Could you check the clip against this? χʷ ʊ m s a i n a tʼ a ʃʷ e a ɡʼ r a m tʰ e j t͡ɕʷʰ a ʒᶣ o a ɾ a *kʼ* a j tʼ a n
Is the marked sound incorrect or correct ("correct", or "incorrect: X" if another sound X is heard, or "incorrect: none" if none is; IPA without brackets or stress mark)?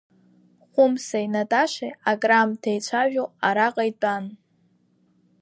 incorrect: qʼ